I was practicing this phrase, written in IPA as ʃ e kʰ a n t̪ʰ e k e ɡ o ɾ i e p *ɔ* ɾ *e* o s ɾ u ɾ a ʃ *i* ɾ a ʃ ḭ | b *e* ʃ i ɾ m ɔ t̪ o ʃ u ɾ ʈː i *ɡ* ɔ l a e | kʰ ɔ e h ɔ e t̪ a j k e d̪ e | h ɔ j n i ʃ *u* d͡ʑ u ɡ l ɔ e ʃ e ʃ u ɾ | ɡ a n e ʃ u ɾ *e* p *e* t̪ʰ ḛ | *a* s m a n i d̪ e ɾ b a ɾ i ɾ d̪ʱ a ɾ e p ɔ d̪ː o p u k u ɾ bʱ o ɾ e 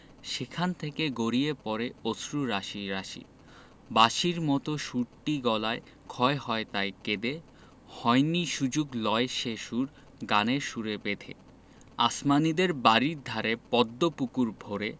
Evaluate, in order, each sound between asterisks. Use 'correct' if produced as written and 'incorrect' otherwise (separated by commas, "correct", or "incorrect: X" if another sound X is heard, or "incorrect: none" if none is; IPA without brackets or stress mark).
correct, correct, correct, incorrect: a, correct, correct, correct, correct, correct